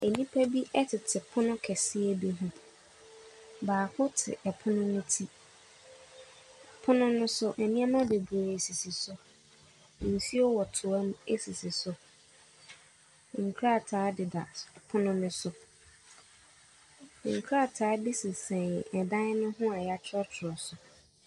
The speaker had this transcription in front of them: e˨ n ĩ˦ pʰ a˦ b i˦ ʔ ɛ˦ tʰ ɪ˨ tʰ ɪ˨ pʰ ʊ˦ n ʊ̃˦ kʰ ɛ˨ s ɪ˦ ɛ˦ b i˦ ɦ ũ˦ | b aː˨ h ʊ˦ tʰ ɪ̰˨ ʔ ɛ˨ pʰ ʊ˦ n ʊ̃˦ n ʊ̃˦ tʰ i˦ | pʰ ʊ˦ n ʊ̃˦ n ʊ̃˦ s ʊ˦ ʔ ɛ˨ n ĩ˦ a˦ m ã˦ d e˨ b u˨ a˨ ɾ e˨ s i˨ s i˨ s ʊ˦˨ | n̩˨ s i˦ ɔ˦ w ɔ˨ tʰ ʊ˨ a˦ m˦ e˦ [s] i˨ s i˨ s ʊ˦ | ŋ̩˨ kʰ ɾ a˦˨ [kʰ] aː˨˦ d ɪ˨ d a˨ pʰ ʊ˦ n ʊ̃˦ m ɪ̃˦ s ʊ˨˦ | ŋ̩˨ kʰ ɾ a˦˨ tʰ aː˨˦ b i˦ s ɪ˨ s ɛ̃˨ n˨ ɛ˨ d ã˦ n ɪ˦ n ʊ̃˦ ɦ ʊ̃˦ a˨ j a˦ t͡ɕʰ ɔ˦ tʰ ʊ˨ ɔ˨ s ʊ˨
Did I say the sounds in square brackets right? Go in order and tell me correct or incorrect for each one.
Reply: correct, incorrect: tʰ

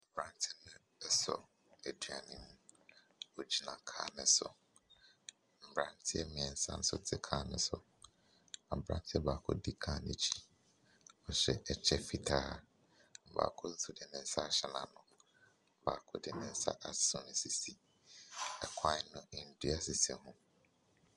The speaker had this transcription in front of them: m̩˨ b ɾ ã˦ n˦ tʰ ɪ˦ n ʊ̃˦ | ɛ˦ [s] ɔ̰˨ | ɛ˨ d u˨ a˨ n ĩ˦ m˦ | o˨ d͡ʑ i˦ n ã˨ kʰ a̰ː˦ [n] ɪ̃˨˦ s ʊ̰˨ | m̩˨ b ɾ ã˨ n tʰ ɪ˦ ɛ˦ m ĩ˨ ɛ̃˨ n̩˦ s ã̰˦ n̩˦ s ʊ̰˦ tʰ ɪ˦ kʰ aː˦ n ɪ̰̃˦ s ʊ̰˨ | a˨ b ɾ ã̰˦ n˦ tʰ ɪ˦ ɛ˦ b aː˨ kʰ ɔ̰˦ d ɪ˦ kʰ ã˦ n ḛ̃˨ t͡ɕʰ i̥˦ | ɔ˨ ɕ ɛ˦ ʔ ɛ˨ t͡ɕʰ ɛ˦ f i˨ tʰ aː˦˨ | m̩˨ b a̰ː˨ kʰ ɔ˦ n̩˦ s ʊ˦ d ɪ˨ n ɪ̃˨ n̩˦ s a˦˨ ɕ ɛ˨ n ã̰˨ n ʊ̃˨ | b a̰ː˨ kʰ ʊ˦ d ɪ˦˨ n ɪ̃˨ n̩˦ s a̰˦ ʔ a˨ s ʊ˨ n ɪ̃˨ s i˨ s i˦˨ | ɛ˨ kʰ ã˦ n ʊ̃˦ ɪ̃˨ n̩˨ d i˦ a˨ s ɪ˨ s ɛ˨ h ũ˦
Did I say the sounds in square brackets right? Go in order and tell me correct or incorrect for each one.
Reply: correct, correct

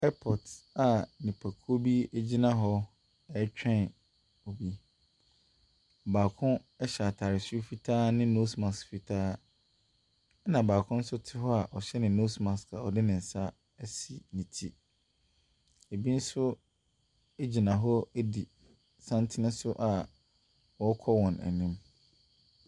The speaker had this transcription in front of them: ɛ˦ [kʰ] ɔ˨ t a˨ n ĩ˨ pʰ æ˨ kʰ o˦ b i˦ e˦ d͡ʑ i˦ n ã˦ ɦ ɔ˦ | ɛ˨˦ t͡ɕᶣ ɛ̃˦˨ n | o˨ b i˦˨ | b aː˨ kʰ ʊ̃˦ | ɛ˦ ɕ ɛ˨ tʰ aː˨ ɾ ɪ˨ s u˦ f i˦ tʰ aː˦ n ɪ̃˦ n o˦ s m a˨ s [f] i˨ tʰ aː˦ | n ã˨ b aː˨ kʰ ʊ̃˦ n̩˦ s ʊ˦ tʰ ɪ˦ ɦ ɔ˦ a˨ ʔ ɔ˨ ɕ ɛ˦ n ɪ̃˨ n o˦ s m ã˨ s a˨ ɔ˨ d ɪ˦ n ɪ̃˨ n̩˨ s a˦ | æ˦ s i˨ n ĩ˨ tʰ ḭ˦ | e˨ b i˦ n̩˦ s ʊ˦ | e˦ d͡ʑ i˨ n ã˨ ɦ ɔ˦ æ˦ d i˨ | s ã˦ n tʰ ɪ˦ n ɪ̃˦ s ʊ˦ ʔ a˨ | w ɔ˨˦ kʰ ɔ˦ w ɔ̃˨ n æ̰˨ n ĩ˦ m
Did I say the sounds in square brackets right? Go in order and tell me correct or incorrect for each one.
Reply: incorrect: pʰ, correct

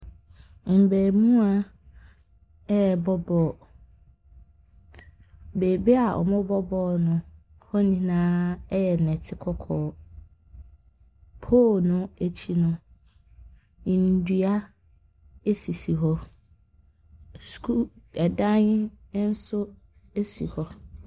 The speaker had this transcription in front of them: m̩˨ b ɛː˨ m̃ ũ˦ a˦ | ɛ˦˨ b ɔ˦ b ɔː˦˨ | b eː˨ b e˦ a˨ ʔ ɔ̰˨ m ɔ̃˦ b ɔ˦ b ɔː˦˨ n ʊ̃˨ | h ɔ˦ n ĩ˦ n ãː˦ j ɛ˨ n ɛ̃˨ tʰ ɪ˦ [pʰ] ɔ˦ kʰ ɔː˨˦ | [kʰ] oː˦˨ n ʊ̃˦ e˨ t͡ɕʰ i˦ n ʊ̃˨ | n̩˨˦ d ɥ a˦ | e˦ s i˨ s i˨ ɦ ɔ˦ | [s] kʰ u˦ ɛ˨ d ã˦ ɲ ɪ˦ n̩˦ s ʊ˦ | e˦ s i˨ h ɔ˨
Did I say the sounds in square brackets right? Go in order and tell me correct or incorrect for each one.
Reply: incorrect: kʰ, incorrect: pʰ, correct

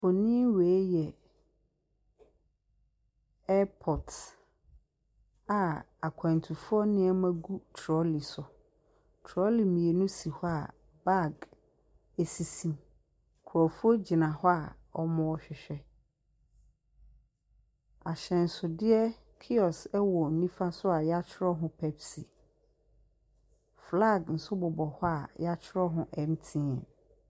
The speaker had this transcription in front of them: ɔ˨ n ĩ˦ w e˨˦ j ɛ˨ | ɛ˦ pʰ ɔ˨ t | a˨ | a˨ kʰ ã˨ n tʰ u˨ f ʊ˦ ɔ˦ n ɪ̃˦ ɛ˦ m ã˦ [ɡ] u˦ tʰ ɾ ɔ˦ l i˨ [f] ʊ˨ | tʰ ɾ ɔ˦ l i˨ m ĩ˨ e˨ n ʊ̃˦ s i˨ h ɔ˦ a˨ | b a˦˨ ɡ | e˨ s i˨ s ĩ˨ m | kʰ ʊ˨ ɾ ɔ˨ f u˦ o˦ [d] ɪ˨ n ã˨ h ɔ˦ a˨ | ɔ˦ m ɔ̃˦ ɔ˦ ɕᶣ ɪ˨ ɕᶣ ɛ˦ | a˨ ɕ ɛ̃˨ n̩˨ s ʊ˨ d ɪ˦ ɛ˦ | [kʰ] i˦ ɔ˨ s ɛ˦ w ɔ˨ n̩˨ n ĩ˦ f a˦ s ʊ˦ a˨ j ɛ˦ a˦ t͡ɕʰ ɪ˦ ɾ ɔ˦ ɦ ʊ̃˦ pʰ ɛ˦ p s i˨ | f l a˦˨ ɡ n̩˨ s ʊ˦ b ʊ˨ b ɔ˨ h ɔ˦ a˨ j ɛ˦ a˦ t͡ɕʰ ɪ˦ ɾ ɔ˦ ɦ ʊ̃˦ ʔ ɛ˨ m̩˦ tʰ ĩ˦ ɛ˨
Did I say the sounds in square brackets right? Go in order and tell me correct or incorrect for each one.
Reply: correct, incorrect: s, incorrect: d͡ʑ, correct

